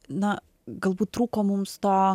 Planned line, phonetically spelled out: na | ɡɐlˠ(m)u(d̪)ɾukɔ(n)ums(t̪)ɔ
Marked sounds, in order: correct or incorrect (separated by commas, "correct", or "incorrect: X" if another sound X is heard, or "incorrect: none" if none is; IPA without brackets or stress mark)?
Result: incorrect: b, incorrect: t̪, incorrect: m, correct